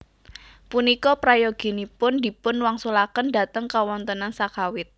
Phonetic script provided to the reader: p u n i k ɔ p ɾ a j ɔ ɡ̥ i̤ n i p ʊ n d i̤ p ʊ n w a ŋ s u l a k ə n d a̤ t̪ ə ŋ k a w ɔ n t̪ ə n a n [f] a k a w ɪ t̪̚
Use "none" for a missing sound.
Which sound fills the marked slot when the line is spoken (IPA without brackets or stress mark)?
s